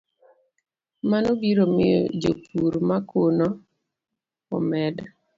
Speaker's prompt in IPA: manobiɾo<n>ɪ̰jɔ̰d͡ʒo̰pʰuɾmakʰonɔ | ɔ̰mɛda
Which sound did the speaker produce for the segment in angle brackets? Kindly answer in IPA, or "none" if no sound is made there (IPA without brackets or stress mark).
m